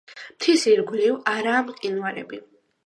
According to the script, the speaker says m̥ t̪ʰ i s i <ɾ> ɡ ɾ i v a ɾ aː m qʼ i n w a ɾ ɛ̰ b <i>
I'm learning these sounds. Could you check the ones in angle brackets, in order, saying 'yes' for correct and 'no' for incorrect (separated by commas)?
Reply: yes, yes